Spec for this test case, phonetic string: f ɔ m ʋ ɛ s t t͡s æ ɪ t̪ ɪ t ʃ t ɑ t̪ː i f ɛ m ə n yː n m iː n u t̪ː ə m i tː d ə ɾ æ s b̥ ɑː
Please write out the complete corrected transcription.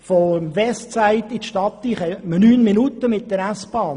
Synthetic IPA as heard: f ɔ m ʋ ɛ s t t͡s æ ɪ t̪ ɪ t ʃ t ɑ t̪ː i χ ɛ m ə n yː n m i n u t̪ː ə m ɪ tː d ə ɾ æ s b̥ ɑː